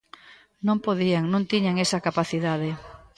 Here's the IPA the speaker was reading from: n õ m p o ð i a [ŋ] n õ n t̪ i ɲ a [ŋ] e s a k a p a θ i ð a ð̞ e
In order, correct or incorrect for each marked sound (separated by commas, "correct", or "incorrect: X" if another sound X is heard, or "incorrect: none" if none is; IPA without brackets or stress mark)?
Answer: correct, correct